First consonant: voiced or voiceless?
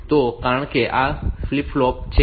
voiceless